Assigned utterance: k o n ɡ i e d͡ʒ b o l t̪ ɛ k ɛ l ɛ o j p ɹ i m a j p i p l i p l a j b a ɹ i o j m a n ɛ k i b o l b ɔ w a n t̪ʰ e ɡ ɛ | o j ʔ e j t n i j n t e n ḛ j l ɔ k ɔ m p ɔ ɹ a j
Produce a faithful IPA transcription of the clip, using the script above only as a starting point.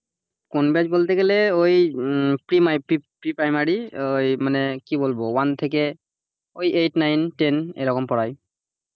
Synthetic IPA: k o n b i a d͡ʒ b o l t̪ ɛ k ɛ l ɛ o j p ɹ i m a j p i p ɹ i p ɹ a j m a ɹ i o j m a n ɛ k i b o l b ɔ w a n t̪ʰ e k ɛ | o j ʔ e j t n a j n t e n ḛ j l ɔ k ɔ m p ɔ ɹ a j